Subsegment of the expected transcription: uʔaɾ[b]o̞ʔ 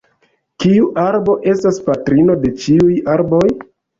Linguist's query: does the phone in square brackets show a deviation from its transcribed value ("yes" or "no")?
no